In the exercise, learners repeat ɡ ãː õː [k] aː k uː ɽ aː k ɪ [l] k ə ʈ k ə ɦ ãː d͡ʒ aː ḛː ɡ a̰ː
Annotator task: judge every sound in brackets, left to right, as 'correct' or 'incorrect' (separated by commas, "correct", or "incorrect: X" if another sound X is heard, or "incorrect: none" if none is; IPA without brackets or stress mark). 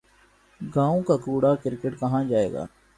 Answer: correct, incorrect: ɾ